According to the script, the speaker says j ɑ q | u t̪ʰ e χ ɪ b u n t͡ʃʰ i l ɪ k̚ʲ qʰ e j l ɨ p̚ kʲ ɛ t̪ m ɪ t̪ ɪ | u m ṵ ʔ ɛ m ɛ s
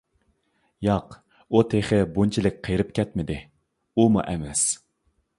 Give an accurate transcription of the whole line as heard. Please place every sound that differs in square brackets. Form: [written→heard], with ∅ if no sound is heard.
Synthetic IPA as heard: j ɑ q | u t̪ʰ e χ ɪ b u n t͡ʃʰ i l ɪ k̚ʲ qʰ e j [l→ɾ] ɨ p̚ kʲ ɛ t̪ m ɪ [t̪→d̪] ɪ | u m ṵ ʔ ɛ m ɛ s

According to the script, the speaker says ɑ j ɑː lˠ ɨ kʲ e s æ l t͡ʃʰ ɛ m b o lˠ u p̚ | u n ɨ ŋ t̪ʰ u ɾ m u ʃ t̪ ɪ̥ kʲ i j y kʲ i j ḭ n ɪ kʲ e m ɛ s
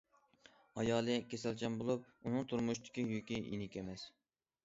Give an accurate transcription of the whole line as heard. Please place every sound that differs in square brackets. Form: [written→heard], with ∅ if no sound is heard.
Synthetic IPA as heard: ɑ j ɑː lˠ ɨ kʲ e s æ l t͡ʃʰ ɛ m b o lˠ u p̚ | u n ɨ ŋ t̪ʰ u ɾ m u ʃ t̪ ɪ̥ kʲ i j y kʲ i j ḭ n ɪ kʲ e m ɛ s

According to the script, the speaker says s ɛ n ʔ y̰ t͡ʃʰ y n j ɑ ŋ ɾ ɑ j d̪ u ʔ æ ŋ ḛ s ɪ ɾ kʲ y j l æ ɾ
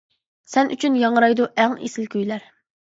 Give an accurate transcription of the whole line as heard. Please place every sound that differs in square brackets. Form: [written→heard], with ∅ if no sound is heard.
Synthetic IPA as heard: s ɛ n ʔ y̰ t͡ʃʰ y n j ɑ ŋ ɾ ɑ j d̪ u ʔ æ ŋ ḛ s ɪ [ɾ→l] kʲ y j l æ ɾ

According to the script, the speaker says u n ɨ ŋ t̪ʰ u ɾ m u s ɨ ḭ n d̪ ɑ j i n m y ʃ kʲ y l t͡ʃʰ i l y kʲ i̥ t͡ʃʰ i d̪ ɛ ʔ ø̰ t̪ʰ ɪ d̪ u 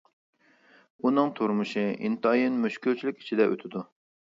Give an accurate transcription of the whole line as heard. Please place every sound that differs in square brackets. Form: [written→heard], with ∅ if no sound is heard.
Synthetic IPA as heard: u n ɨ ŋ t̪ʰ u ɾ m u [s→ʃ] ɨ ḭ n [d̪→t̪] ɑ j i n m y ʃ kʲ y l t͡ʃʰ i l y kʲ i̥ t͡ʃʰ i d̪ ɛ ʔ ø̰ t̪ʰ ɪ d̪ u

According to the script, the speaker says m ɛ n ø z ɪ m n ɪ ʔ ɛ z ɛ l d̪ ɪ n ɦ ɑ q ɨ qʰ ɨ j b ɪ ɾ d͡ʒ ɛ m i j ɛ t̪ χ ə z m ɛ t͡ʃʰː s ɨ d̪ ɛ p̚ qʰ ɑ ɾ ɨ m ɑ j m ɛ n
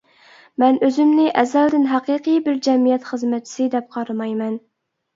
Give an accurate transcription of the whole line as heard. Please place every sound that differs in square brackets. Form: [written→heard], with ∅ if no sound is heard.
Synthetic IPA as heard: m ɛ n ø z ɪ m n ɪ ʔ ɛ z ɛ l d̪ ɪ n ɦ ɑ q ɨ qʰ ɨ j b ɪ ɾ d͡ʒ ɛ m i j ɛ t̪ χ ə z m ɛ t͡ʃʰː s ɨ d̪ ɛ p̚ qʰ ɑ ɾ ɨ m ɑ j m ɛ n

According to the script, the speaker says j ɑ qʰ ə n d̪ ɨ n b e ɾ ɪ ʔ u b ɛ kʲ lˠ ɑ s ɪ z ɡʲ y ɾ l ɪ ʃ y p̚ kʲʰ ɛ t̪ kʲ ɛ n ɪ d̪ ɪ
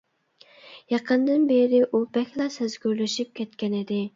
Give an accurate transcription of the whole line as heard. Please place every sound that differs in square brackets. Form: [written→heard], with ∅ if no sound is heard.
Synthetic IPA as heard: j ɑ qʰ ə n d̪ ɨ n b e ɾ ɪ ʔ u b ɛ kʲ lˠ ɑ s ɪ z ɡʲ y ɾ l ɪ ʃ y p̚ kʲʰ ɛ t̪ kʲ ɛ n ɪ d̪ ɪ

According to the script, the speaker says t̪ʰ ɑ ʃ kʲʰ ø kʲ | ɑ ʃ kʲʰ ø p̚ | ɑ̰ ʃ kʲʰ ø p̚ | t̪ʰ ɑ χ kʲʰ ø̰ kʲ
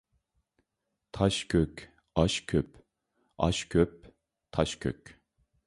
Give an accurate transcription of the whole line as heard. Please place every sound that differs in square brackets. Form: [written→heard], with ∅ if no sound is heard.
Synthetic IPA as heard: t̪ʰ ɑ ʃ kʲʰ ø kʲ | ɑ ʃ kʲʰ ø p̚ | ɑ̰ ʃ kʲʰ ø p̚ | t̪ʰ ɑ [χ→ʃ] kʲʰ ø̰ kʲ

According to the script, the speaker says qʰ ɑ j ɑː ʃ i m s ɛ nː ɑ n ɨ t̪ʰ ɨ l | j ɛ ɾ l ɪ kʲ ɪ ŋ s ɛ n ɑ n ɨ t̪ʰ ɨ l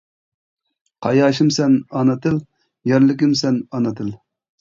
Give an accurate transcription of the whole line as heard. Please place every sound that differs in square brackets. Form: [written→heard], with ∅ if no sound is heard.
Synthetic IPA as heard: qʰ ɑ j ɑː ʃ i m s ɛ [nː→n] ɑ n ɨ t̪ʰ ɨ l | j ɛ ɾ l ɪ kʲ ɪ [ŋ→m] s ɛ n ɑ n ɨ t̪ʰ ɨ l

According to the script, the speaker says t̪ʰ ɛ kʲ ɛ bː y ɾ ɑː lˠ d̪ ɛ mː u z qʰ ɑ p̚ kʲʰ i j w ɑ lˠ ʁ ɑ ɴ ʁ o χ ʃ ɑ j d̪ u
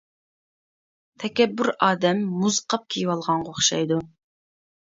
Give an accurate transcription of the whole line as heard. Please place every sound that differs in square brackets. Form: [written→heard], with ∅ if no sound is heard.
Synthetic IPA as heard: t̪ʰ ɛ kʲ ɛ bː y ɾ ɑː [lˠ→∅] d̪ ɛ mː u z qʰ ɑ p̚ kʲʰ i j w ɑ lˠ ʁ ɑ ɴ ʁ o χ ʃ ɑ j d̪ u

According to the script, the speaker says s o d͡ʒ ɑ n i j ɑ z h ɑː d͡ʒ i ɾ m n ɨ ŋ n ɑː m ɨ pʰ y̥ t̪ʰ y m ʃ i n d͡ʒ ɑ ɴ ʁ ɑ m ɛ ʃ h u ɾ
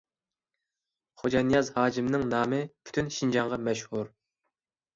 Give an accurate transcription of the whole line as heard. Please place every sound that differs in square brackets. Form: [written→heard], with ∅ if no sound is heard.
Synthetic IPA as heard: [s→χ] o d͡ʒ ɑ n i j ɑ z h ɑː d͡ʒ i [ɾ→∅] m n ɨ ŋ n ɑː m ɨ pʰ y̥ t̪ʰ y [m→n] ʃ i n d͡ʒ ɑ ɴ ʁ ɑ m ɛ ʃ h u ɾ

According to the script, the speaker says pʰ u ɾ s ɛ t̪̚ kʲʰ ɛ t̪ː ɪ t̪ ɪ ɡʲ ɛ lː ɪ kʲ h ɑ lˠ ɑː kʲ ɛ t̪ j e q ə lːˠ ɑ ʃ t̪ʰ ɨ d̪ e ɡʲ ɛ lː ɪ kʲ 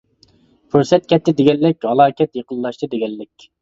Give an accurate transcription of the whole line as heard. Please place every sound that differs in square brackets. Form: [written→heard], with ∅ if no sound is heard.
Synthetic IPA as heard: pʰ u ɾ s ɛ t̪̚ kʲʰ ɛ t̪ː ɪ [t̪→d̪] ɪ ɡʲ ɛ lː ɪ kʲ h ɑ lˠ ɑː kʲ ɛ t̪ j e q ə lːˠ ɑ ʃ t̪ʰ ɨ d̪ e ɡʲ ɛ lː ɪ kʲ

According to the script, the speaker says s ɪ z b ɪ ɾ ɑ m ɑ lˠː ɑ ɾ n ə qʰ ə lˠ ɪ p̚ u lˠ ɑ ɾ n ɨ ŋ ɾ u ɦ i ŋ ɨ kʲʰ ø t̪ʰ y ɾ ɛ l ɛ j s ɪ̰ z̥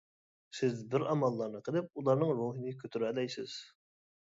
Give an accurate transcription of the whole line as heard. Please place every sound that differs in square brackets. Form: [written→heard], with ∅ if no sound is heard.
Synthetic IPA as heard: s ɪ z b ɪ ɾ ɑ m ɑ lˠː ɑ ɾ n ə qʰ ə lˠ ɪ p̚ u lˠ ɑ ɾ n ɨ ŋ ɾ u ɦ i [ŋ→n] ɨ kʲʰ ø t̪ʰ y ɾ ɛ l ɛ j s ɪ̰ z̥

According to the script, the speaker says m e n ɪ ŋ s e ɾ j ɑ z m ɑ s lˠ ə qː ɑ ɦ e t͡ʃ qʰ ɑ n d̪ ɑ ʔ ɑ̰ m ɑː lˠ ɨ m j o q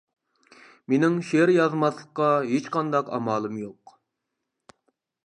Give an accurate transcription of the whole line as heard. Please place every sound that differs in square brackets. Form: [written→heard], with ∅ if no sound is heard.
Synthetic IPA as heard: m e n ɪ ŋ [s→ʃ] e ɾ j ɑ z m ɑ s lˠ ə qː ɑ ɦ e t͡ʃ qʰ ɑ n d̪ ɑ [ʔ→q] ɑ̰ m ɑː lˠ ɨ m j o q

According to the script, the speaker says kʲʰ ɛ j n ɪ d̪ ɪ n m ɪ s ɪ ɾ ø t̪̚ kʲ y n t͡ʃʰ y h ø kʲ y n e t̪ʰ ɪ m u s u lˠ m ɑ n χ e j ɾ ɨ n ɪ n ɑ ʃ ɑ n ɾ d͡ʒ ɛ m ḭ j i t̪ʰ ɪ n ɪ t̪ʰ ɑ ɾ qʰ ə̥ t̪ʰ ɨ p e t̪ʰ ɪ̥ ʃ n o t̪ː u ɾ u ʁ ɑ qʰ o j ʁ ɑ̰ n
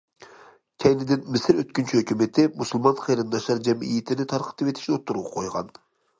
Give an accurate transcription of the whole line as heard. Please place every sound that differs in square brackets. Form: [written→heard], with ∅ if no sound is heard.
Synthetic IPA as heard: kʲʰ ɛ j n ɪ d̪ ɪ n m ɪ s ɪ ɾ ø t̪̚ kʲ y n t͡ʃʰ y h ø kʲ y [n→m] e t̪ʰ ɪ m u s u lˠ m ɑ n χ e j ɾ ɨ n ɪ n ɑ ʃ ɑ [n→∅] ɾ d͡ʒ ɛ m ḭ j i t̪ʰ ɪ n ɪ t̪ʰ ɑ ɾ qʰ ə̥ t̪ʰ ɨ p e t̪ʰ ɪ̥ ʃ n o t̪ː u ɾ u ʁ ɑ qʰ o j ʁ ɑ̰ n

